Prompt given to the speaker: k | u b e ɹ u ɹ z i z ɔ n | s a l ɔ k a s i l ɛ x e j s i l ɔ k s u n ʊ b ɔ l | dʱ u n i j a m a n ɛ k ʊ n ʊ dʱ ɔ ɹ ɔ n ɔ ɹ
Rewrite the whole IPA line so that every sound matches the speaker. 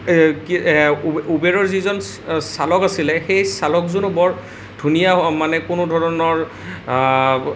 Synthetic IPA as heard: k | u b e ɹ ɔ ɹ z i z ɔ n | s a l ɔ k a s i l ɛ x e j s a l ɔ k z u n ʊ b ɔ ɹ | dʱ u n i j a m a n ɛ k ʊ n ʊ dʱ ɔ ɹ ɔ n ɔ ɹ